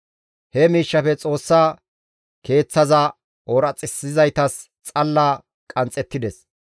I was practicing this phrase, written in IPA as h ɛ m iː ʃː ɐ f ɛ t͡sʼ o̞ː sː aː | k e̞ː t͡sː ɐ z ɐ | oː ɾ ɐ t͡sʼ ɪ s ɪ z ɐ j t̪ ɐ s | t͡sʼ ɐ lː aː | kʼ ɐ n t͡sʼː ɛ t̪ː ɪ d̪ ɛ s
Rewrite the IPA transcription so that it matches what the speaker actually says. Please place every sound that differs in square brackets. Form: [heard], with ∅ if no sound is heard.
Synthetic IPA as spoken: h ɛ m iː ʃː ɐ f ɛ t͡sʼ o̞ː sː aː | k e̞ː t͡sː ɐ z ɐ | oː ɾ ɐ t͡sʼ ɪ s ɪ z ɐ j t̪ ɐ s | t͡sʼ ɐ lː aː | kʼ ɐ n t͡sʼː ɛ t̪ː ɪ d̪ ɛ s